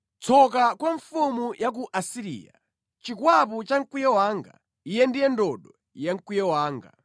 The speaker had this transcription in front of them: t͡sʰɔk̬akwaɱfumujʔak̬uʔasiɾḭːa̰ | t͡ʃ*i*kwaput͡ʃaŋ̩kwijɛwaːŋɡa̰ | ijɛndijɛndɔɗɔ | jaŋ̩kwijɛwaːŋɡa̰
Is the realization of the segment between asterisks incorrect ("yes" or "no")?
no